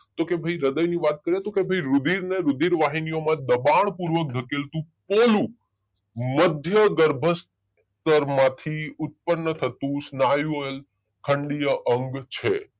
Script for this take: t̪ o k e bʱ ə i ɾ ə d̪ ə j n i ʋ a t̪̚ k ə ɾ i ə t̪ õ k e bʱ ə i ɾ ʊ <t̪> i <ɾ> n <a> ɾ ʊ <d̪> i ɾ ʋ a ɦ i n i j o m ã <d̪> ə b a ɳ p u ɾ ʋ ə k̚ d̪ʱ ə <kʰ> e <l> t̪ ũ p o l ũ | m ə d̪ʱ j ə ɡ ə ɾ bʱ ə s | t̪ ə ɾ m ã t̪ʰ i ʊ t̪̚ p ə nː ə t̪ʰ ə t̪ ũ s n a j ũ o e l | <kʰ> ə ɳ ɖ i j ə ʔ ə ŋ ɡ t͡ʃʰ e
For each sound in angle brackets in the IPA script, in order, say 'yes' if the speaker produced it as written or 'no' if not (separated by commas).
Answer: no, yes, no, yes, yes, no, yes, yes